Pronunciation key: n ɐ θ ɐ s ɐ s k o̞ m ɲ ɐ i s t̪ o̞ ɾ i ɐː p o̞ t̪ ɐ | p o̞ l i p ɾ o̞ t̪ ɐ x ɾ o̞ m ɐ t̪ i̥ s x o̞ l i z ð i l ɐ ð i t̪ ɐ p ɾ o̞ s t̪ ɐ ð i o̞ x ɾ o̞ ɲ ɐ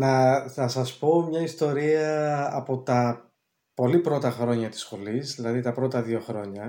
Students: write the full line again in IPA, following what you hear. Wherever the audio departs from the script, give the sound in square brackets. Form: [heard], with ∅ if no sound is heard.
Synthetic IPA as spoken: n ɐ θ ɐ s ɐ s [p] o̞ m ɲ ɐ i s t̪ o̞ ɾ i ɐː p o̞ t̪ ɐ | p o̞ l i p ɾ o̞ t̪ ɐ x ɾ o̞ [ɲ] ɐ t̪ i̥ s x o̞ l i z ð i l ɐ ð i t̪ ɐ p ɾ o̞ [∅] t̪ ɐ ð i o̞ x ɾ o̞ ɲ ɐ